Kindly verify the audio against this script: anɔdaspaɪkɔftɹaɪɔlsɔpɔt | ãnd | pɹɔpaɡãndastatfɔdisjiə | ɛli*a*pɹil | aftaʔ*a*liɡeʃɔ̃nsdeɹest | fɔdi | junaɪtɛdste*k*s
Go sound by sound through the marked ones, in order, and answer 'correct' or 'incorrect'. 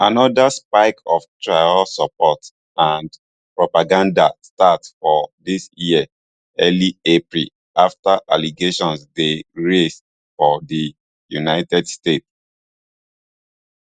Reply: incorrect: e, correct, incorrect: t

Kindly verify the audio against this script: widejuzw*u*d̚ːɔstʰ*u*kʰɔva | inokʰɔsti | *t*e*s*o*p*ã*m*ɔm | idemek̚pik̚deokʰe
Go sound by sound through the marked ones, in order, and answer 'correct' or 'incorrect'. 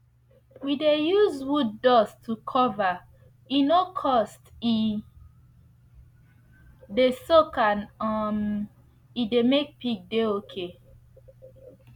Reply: correct, correct, incorrect: d, correct, incorrect: k, incorrect: n

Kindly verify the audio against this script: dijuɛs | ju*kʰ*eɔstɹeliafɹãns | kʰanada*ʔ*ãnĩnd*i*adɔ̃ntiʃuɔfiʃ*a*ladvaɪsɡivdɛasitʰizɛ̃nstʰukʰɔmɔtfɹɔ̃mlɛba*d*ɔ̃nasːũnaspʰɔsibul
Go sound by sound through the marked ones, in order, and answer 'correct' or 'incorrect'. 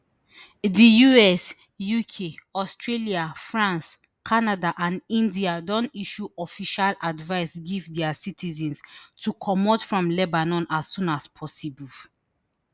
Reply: correct, correct, correct, correct, incorrect: n

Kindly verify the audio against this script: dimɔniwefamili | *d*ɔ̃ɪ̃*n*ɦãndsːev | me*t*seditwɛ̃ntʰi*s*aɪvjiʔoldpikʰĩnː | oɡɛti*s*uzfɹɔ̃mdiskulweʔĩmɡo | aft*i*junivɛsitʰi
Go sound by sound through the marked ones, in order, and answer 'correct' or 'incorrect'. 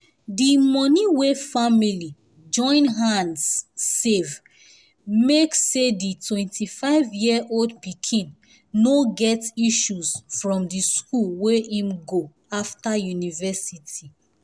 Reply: incorrect: d͡ʒ, correct, incorrect: k, incorrect: f, incorrect: ʃ, incorrect: a

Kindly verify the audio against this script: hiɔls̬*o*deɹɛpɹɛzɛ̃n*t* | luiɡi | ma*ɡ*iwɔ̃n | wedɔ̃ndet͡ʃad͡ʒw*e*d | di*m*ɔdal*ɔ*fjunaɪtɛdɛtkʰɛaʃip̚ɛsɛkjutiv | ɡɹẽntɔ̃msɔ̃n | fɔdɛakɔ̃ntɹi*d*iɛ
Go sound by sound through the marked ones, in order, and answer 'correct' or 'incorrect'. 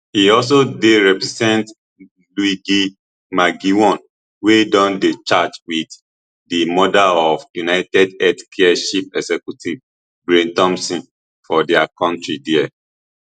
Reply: correct, correct, correct, incorrect: i, correct, correct, correct

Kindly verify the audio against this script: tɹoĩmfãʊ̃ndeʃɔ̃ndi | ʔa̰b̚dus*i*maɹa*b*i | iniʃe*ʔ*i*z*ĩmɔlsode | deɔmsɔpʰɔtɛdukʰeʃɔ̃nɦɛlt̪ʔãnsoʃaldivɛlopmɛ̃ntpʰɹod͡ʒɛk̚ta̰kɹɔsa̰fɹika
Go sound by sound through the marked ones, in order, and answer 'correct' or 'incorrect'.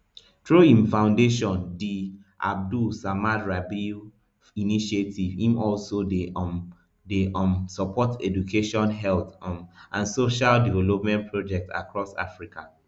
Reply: incorrect: a, correct, incorrect: t, incorrect: v

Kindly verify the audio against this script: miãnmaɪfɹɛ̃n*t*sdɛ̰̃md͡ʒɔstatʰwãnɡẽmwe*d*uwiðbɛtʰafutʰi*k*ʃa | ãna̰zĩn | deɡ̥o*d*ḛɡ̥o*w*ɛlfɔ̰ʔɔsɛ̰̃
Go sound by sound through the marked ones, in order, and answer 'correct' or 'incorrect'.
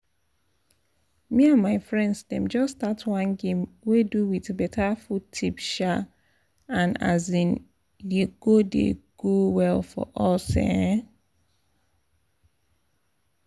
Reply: incorrect: d, correct, incorrect: p, correct, correct

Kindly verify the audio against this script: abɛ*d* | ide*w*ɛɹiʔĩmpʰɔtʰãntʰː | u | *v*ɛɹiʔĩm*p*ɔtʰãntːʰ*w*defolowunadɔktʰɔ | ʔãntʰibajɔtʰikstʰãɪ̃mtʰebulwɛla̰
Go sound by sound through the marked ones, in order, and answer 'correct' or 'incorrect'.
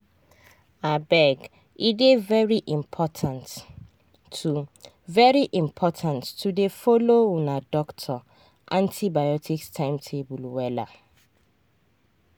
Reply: incorrect: ɡ, incorrect: v, correct, incorrect: pʰ, incorrect: u

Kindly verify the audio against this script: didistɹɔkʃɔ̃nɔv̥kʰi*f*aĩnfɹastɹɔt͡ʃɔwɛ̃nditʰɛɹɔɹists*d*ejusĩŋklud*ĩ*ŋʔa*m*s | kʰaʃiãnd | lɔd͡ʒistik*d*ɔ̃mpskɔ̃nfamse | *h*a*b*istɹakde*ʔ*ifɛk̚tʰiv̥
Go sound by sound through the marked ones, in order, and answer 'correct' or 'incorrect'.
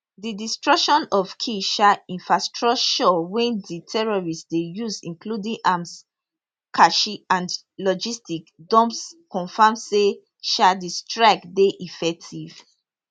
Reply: incorrect: ʃ, correct, correct, correct, correct, incorrect: ʃ, incorrect: d, correct

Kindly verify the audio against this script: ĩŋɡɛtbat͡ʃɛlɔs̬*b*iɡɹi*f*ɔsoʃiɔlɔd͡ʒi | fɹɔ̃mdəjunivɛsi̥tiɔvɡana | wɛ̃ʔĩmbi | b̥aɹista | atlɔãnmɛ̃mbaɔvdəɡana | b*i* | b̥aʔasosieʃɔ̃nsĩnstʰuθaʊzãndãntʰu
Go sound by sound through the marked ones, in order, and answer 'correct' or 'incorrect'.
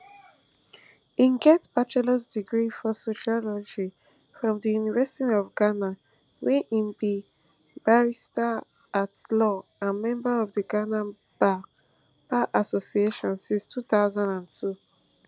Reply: incorrect: d, correct, incorrect: a

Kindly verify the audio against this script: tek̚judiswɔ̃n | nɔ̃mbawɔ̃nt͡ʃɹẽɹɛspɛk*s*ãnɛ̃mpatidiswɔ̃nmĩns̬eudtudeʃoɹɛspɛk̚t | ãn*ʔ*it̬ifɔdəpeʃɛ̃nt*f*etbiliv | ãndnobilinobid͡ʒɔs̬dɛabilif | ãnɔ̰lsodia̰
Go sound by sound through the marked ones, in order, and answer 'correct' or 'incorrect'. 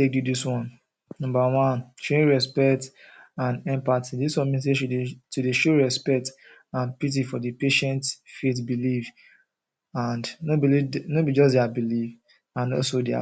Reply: incorrect: t, incorrect: p, correct

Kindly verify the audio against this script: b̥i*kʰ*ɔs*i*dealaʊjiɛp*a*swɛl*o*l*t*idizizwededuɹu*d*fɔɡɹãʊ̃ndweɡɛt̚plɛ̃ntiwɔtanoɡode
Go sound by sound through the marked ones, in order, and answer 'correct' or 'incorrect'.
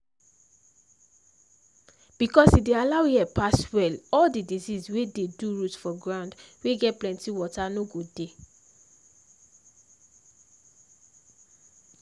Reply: incorrect: k, correct, correct, incorrect: ɔ, incorrect: d, incorrect: t

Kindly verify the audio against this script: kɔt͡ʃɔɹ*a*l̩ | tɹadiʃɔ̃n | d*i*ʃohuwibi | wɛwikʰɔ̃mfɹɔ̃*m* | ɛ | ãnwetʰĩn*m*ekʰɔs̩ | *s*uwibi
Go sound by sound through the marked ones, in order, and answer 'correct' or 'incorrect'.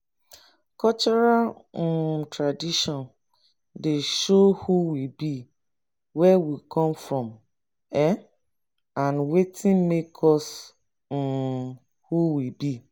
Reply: correct, incorrect: e, correct, correct, incorrect: h

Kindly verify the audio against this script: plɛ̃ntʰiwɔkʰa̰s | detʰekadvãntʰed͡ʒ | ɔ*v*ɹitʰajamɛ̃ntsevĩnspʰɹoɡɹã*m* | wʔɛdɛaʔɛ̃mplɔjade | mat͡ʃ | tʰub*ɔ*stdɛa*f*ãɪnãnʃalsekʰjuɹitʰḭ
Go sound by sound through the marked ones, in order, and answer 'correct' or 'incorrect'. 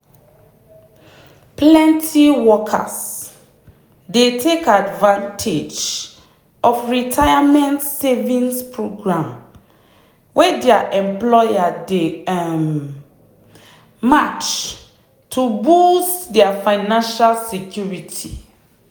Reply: incorrect: f, correct, incorrect: u, correct

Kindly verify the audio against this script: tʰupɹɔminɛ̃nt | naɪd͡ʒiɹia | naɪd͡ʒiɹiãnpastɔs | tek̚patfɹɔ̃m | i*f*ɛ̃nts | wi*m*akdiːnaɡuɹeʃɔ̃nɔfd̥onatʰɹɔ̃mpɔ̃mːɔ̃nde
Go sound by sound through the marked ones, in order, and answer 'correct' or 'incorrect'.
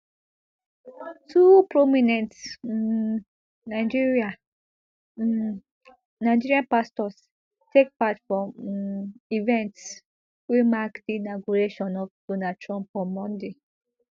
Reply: incorrect: v, correct

